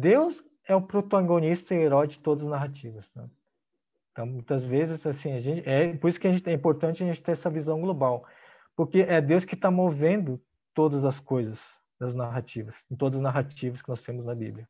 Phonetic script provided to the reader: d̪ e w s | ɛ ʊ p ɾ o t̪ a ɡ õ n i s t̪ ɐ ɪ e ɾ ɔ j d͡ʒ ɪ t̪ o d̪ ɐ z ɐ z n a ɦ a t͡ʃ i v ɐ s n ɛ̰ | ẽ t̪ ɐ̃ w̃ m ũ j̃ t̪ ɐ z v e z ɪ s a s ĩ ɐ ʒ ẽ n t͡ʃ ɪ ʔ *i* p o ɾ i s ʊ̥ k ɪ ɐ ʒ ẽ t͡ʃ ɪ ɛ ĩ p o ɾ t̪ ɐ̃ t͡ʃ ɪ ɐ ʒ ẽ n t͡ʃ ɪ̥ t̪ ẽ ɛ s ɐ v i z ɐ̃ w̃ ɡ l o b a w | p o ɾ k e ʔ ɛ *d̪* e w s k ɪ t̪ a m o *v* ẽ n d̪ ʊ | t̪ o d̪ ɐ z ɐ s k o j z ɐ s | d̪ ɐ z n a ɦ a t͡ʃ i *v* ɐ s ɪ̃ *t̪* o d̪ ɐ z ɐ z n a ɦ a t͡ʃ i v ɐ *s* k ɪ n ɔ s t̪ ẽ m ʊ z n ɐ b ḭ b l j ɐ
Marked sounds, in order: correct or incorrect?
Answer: incorrect, correct, correct, correct, correct, correct

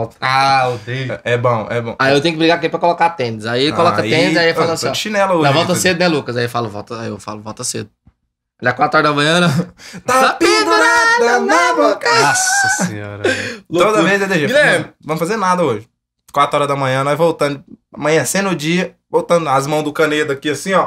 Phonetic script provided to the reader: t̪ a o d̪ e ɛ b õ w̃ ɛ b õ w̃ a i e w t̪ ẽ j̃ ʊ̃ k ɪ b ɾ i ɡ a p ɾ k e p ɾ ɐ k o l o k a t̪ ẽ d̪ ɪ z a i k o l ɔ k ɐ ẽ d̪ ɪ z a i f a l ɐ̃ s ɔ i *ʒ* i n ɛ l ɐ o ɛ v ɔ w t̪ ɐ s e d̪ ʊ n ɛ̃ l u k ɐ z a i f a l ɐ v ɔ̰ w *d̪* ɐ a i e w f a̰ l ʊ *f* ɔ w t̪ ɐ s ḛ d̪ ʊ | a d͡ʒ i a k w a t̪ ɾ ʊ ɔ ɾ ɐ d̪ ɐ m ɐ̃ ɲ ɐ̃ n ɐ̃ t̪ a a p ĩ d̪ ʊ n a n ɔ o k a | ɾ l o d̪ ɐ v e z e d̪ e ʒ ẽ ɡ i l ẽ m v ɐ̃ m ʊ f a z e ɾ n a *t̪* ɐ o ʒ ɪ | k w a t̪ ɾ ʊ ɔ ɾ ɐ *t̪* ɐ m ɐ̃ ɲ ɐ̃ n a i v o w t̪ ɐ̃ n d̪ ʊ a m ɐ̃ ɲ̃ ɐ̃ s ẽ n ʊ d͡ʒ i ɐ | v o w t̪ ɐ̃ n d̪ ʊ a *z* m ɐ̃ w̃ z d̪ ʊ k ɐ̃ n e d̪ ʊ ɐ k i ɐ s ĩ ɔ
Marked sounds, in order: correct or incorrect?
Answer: incorrect, incorrect, incorrect, incorrect, incorrect, correct

